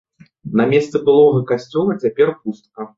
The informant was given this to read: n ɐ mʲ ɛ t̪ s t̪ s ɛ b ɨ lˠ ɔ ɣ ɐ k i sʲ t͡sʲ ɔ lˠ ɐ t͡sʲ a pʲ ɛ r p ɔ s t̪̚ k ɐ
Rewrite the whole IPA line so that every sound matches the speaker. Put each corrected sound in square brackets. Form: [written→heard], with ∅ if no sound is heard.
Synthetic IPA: n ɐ mʲ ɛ [t̪→∅] s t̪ s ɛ b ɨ lˠ ɔ ɣ ɐ k [i→a] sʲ t͡sʲ ɔ lˠ ɐ t͡sʲ a pʲ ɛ r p [ɔ→u] s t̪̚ k ɐ